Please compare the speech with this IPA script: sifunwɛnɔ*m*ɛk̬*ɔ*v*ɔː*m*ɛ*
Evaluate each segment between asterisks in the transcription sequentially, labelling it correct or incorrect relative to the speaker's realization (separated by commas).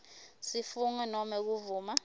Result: correct, incorrect, incorrect, incorrect